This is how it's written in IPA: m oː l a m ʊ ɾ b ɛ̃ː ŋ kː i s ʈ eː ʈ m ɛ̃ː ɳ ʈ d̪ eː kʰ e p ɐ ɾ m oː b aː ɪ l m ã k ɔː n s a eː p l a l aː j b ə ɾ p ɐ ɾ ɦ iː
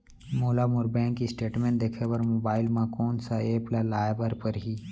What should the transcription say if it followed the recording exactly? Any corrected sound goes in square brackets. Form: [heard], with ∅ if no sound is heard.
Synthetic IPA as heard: m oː l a m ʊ ɾ b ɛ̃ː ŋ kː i s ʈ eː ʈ m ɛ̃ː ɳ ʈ d̪ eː kʰ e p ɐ ɾ m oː b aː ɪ l m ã k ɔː n s a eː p l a l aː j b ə ɾ p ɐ ɾ ɦ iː

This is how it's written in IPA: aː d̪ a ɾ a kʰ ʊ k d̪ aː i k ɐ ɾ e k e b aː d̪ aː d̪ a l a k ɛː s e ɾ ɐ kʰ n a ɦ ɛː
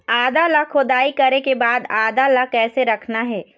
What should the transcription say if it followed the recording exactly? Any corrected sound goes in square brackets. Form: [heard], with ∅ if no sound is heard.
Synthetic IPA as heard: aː d̪ a [l] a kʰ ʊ [∅] d̪ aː i k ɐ ɾ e k e b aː d̪ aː d̪ a l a k ɛː s e ɾ ɐ kʰ n a ɦ ɛː

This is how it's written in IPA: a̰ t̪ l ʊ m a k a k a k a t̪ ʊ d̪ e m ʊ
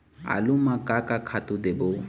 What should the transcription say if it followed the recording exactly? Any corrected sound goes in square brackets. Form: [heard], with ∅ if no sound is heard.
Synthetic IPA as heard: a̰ [∅] l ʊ m a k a k a [kʰ] a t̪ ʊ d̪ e [b] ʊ

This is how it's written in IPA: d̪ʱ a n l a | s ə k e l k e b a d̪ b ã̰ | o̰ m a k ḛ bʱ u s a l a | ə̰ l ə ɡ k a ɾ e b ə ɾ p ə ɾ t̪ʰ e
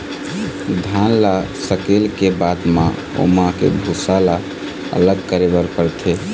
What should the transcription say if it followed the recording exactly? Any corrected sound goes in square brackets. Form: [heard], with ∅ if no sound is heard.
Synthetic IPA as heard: d̪ʱ a n l a | s ə k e l k e b a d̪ [m] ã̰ | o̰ m a k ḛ bʱ u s a l a | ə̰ l ə ɡ k [ə] ɾ e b ə ɾ p ə ɾ t̪ʰ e

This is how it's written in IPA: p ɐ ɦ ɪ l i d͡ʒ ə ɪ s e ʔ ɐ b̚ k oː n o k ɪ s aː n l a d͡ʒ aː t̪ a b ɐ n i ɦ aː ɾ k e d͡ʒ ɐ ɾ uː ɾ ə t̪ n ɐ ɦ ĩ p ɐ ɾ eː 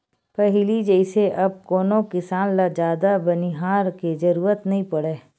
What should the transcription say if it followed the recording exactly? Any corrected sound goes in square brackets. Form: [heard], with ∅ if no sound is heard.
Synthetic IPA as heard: p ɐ ɦ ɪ l i d͡ʒ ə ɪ s e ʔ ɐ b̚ k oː n o k ɪ s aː n l a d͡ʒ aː [d̪] a b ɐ n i ɦ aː ɾ k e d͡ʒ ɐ ɾ uː ɾ ə t̪ n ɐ ɦ ĩ p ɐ [ɽ] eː

